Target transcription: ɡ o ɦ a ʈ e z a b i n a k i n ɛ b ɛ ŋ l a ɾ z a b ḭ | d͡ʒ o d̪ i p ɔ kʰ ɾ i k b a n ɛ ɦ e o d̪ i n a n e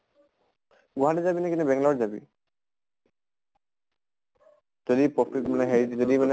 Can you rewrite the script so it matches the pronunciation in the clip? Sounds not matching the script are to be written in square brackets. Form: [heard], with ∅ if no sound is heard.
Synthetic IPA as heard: ɡ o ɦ a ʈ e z a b i n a k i n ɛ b ɛ ŋ l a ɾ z a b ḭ | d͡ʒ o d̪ i p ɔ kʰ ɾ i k [m] a n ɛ ɦ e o d̪ i [m] a n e